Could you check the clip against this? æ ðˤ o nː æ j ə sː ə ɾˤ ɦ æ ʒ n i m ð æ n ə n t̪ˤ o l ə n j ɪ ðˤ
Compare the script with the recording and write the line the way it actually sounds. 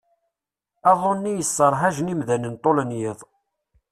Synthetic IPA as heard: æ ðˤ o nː i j ə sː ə ɾˤ ɦ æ ʒ n i m ð æ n ə n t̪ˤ o l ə n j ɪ ðˤ